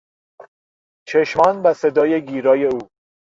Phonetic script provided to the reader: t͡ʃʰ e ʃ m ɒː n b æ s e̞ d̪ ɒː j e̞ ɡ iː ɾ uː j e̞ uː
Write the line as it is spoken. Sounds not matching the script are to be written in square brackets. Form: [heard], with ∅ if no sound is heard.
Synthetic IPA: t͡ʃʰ e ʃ m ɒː n b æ s e̞ d̪ ɒː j e̞ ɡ iː ɾ [ɒː] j e̞ uː